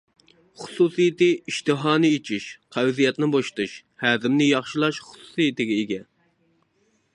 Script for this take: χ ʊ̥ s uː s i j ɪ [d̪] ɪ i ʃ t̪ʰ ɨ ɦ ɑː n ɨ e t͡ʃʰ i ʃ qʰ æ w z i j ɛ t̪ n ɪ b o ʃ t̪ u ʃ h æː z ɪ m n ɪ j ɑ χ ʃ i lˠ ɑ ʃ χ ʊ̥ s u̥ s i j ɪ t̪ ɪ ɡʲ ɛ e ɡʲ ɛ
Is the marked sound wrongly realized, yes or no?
yes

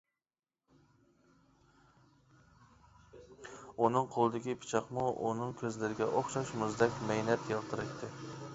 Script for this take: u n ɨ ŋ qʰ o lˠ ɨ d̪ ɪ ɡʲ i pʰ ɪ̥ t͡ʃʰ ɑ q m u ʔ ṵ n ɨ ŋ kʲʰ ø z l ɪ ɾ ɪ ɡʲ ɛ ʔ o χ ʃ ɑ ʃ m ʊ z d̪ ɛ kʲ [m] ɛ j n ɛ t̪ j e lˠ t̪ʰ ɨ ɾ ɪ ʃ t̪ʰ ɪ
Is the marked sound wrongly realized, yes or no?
no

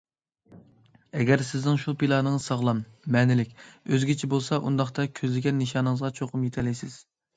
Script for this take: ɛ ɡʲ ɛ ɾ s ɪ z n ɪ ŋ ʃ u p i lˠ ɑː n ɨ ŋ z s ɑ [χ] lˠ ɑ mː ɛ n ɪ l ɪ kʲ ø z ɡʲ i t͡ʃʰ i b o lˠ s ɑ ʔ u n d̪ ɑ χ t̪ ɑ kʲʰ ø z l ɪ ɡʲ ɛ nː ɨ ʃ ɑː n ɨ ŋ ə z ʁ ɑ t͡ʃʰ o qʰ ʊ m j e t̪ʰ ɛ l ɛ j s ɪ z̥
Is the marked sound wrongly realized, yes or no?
yes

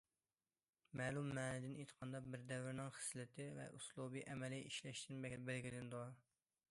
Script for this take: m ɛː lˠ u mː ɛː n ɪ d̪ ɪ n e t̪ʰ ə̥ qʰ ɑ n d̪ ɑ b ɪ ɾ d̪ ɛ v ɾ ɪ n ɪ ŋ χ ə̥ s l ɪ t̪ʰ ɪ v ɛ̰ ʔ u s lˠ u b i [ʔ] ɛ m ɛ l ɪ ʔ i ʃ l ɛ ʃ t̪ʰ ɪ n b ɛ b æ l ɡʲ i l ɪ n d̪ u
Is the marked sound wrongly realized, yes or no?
no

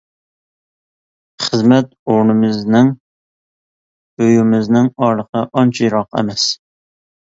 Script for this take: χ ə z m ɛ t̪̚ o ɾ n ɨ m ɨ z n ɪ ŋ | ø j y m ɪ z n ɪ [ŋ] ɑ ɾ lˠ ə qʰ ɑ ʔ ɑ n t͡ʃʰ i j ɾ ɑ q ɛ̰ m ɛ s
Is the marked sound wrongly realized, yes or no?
no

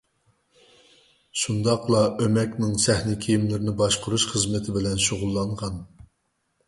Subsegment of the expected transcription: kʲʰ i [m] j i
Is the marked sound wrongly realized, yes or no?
yes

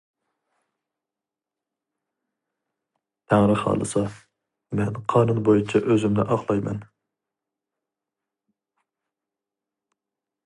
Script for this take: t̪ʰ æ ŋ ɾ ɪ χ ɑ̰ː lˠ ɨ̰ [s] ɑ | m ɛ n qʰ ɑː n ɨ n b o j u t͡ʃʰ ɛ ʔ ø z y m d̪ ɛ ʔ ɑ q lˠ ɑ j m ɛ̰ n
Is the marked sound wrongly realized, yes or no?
no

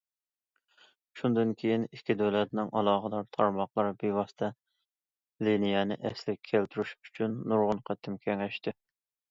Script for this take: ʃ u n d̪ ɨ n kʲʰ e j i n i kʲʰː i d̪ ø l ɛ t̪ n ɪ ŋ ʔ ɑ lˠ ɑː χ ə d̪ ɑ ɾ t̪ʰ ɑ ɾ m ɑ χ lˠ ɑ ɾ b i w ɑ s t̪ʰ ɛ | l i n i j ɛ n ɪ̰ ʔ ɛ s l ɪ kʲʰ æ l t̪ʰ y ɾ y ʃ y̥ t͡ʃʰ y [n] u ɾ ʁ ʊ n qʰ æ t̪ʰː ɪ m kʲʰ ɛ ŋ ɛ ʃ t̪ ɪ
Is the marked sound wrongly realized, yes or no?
yes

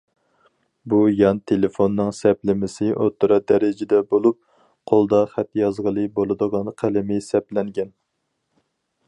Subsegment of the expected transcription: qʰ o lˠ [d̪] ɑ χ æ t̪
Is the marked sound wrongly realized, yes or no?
no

